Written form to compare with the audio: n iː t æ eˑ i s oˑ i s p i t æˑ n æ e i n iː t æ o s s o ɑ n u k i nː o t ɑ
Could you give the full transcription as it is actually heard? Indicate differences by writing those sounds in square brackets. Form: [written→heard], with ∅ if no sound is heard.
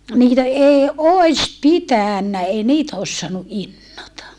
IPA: n iː t æ eˑ i [s→∅] oˑ i s p i t æˑ [n→nː] æ e i n iː t æ o s s o ɑ n u [k→ʔ] i nː o t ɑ